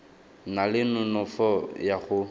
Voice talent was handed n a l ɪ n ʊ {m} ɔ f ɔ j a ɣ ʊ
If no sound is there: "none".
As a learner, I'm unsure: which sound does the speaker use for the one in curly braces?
n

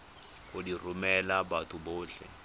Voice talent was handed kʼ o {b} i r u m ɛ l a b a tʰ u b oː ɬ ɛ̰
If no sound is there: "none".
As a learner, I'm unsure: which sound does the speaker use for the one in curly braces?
d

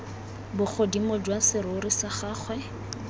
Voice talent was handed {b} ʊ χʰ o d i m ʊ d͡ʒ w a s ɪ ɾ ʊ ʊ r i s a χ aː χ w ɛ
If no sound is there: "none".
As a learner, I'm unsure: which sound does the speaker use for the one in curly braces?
b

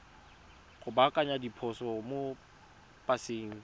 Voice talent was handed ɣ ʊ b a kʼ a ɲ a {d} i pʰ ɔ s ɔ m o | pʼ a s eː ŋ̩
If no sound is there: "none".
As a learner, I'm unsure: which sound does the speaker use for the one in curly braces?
d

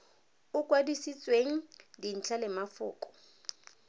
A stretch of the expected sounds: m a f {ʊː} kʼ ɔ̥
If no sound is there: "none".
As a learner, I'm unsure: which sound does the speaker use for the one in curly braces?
ʊː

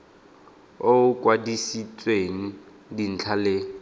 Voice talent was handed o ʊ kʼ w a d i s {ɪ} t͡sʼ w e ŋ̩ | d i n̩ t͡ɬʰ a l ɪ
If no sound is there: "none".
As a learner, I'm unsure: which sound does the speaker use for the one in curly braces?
i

